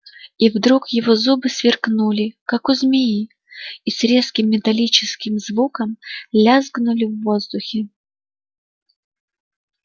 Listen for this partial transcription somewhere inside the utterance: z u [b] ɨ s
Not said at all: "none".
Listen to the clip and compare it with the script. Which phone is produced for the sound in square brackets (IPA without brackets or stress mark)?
b